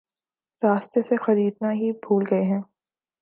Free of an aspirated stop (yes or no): yes